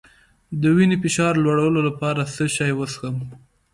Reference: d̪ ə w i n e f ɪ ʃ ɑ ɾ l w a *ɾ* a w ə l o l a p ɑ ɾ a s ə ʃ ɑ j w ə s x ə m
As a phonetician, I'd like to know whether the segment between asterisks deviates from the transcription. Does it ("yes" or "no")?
yes